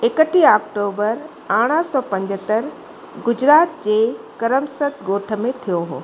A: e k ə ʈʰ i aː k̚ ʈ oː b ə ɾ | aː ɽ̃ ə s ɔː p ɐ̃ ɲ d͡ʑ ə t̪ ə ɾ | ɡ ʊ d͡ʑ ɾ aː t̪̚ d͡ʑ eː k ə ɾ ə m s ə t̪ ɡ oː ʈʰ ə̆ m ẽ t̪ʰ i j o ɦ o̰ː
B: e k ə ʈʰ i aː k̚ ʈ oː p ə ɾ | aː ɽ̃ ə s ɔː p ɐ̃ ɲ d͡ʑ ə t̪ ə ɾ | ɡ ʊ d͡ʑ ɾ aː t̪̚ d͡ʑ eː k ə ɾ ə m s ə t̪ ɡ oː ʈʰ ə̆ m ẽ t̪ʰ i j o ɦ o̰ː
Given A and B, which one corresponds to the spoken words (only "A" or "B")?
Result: A